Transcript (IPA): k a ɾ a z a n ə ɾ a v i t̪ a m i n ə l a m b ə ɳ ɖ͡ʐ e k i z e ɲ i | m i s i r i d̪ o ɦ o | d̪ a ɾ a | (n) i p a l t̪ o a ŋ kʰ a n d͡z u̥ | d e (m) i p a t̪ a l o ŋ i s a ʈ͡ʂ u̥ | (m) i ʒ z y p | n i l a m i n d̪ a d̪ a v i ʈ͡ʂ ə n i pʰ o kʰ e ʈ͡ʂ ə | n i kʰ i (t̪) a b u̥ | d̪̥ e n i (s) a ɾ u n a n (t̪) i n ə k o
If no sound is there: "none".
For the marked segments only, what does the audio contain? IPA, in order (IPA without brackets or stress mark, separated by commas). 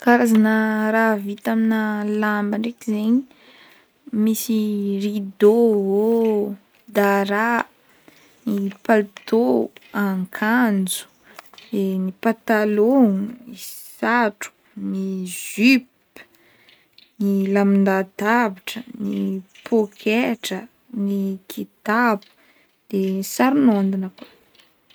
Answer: n, n, n, t̪, s, d̪